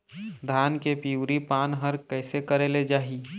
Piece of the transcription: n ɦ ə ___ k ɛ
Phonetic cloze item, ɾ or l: ɾ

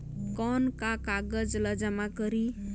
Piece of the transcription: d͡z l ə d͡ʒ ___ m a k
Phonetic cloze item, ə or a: a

